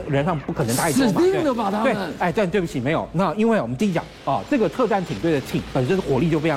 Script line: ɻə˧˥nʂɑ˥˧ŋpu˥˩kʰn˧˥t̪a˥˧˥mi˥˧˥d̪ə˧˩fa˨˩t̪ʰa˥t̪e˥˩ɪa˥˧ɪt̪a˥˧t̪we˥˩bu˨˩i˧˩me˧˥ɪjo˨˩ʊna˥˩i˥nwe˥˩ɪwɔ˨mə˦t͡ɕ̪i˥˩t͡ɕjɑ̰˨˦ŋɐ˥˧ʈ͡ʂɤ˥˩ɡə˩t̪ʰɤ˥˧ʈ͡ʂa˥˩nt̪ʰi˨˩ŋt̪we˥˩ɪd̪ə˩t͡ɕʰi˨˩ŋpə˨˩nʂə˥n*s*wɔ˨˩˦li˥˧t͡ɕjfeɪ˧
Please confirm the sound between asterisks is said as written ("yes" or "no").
no